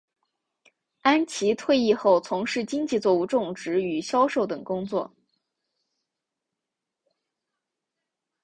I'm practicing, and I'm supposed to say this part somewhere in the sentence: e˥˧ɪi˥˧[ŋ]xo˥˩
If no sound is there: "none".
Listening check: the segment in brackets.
none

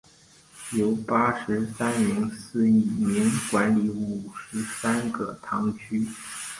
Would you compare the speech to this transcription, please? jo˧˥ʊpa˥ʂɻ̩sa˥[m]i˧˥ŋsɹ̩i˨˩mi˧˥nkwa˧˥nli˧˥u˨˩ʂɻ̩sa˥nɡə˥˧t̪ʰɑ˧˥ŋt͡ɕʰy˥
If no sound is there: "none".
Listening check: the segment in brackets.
n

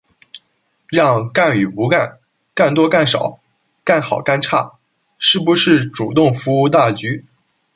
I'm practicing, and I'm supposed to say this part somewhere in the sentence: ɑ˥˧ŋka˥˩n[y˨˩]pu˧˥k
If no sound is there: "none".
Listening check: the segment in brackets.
y˨˩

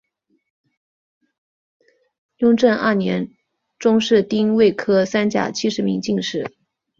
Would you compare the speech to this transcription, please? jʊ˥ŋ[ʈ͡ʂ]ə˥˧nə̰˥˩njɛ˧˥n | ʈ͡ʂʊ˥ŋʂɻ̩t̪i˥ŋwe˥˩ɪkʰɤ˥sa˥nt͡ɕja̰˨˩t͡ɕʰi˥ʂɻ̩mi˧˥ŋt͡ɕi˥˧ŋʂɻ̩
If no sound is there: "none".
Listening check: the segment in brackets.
ʈ͡ʂ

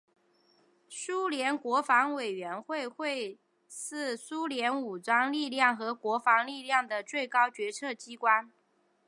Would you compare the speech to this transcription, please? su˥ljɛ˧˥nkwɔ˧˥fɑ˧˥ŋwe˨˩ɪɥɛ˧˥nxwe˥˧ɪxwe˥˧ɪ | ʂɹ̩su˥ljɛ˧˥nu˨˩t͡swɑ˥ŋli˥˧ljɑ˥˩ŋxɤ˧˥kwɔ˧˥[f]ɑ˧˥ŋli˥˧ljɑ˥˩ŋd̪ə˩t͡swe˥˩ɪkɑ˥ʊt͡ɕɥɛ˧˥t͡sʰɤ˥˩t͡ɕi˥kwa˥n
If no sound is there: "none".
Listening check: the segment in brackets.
f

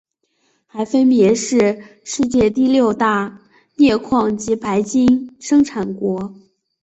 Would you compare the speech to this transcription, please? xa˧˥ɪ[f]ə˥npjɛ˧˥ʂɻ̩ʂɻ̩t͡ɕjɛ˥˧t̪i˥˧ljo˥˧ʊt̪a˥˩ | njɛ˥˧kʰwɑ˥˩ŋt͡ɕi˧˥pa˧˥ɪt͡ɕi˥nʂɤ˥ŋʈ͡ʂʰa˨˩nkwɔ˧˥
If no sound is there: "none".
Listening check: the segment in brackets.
f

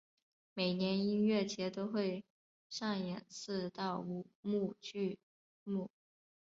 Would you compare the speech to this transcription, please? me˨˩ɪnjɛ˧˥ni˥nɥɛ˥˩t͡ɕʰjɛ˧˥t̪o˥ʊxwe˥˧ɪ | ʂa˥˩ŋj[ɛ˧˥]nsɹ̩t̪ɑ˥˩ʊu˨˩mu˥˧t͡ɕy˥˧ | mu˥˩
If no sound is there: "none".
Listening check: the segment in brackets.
ɛ˨˩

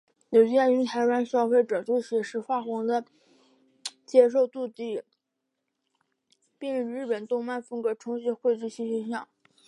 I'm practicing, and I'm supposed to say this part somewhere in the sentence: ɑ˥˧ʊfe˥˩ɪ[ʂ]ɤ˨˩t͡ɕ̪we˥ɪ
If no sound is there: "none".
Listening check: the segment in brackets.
ʈ͡ʂ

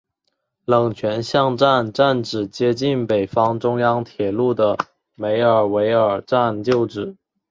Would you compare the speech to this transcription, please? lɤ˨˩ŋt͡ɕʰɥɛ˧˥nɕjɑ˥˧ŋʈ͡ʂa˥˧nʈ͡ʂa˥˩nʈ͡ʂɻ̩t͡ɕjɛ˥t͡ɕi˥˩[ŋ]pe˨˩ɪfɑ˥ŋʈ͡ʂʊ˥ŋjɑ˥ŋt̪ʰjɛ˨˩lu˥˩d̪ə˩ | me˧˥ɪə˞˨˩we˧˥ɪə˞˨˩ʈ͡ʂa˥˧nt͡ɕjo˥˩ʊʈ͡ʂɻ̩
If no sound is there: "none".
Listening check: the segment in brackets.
n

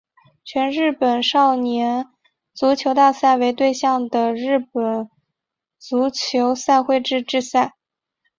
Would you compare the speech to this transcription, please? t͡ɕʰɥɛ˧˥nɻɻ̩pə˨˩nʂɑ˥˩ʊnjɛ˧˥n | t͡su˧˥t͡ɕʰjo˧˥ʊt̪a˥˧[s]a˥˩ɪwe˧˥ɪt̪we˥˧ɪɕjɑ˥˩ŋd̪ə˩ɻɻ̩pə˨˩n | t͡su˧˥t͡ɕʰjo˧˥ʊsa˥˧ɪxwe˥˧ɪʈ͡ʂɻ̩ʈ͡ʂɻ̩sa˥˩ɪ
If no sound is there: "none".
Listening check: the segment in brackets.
s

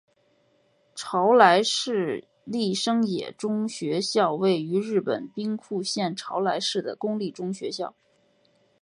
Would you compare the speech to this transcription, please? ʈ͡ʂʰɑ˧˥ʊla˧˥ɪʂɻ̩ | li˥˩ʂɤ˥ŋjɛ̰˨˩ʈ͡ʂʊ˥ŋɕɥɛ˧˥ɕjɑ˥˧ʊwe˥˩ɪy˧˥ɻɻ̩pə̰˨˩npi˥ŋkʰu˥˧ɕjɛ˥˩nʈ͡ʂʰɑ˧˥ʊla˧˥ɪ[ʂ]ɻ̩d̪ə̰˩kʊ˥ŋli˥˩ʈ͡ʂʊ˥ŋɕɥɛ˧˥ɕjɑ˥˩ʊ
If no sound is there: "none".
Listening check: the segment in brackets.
ʂ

